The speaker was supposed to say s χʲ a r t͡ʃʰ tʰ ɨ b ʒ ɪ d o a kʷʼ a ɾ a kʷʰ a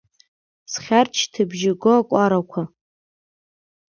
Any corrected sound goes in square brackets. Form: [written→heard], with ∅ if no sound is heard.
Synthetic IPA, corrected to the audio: s χʲ a r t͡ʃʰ tʰ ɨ b ʒ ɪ [d→ɡ] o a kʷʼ a ɾ a kʷʰ a